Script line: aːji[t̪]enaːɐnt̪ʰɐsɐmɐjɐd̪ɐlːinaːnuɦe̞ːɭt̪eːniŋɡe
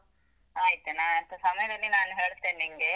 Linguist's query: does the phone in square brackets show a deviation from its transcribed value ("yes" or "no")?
no